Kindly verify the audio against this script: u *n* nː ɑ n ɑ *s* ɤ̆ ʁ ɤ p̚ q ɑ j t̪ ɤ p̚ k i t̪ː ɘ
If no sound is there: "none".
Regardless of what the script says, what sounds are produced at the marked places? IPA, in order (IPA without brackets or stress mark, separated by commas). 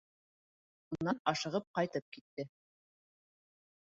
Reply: n, ʃ